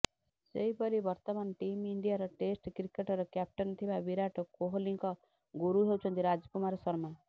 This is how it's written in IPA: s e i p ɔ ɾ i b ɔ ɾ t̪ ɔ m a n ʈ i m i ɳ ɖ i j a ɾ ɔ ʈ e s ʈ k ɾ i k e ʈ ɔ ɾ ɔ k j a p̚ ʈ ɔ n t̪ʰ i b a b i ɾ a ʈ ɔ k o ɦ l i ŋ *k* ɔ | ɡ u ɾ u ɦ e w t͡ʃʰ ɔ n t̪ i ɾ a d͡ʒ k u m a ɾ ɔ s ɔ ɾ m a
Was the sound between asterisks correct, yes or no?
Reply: yes